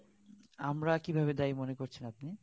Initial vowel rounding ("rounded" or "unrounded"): unrounded